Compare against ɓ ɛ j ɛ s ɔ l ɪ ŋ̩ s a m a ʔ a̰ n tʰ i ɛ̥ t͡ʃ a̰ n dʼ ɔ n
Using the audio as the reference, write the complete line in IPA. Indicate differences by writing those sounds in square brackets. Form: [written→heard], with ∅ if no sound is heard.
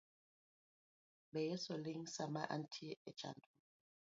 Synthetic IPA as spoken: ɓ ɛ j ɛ s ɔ l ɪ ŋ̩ s a m a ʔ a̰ n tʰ i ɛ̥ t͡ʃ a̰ n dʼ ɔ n

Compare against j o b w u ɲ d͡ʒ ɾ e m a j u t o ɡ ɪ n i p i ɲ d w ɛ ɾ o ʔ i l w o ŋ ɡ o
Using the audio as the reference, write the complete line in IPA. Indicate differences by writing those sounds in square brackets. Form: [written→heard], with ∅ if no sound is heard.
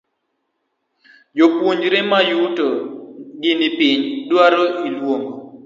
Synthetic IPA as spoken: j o [b→p] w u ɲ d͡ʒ ɾ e m a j u t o ɡ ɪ n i p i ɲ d w [ɛ→a] ɾ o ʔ i l w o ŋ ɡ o

